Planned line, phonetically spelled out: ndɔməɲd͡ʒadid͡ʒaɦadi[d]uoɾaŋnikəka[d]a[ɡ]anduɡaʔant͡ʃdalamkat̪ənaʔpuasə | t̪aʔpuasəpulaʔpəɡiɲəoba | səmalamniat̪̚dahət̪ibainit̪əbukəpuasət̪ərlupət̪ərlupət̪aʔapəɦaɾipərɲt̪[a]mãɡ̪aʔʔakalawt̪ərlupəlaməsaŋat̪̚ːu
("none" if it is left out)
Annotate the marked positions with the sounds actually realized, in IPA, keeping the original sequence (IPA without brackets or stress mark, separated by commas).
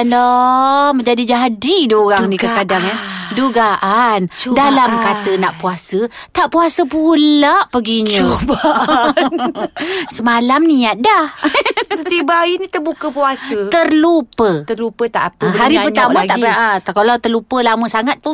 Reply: d, d, ŋ, a